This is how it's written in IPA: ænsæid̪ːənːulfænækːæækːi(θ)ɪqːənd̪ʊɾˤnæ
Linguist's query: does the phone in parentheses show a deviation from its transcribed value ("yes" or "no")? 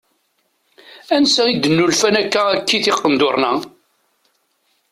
no